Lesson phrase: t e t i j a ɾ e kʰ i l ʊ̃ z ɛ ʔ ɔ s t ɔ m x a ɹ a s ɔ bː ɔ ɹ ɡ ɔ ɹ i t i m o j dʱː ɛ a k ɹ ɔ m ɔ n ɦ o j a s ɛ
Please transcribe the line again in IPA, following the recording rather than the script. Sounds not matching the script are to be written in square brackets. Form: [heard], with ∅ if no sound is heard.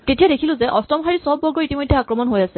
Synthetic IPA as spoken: t e t i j a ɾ e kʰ i l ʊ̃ z ɛ ʔ ɔ s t ɔ m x a ɹ [i] s ɔ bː ɔ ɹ ɡ ɔ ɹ i t i m o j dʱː ɛ a k ɹ ɔ m ɔ n ɦ o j a s ɛ